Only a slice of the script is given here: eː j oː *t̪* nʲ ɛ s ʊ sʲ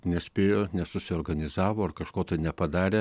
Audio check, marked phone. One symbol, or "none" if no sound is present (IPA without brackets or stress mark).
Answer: none